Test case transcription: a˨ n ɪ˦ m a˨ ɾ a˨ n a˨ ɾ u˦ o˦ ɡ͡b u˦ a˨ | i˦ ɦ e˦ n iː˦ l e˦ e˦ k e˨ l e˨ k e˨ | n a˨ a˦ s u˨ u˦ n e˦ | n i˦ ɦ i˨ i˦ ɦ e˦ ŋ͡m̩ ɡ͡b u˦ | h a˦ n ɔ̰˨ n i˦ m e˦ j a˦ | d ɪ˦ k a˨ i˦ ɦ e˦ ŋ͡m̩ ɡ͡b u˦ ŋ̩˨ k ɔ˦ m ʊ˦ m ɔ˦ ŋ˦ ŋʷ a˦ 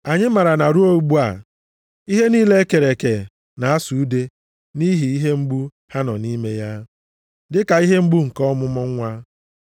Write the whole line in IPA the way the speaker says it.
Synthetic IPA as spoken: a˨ ɲ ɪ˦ m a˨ ɾ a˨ n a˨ ɾ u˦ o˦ ɡ͡b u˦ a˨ | i˦ ɦ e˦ n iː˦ l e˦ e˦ k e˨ ɾ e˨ k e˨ | n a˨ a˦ s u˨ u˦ d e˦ | n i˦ ɦ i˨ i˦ ɦ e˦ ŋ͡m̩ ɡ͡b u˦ | h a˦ n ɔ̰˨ n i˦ m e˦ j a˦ | d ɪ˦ k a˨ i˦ ɦ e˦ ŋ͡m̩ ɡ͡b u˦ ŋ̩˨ k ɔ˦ m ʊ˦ m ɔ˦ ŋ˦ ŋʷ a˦